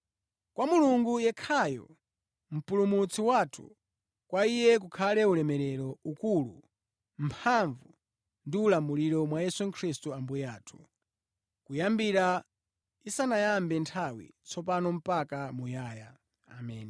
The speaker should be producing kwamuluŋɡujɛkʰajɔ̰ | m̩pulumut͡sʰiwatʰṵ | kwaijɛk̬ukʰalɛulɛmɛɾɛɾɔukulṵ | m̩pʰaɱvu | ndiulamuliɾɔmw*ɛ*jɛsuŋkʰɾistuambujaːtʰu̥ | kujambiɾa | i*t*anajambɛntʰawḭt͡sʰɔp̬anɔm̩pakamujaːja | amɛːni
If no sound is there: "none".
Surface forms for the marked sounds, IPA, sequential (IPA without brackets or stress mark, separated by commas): a, s